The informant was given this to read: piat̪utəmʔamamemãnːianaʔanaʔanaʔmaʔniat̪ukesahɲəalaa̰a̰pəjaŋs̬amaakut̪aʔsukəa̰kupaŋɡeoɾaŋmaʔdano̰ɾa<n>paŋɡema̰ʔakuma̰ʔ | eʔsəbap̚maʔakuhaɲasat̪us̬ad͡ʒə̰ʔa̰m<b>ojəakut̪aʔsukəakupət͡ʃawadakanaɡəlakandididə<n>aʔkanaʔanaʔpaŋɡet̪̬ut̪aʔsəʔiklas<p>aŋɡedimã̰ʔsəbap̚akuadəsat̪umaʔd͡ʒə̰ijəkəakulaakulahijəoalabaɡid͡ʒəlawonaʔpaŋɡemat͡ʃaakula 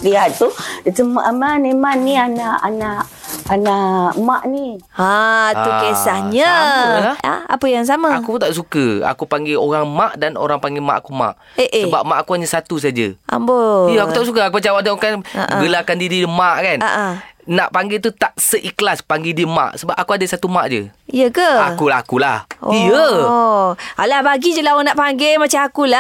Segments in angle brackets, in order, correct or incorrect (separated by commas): incorrect, correct, incorrect, correct